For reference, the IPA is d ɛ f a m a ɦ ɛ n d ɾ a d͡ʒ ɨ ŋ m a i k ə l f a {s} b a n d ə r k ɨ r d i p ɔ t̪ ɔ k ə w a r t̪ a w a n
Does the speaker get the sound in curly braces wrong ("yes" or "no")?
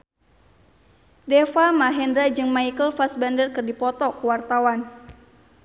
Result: no